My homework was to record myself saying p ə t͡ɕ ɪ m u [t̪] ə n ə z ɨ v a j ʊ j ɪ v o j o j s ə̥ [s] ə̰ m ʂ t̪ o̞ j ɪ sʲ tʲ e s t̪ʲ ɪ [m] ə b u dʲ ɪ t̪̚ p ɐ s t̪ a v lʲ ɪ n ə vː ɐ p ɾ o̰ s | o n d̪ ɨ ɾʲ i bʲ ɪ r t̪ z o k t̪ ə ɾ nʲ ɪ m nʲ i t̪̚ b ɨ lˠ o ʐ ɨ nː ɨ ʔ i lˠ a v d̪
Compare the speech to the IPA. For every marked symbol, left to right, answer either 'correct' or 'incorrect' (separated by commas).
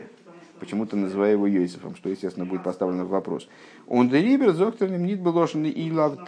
correct, incorrect, incorrect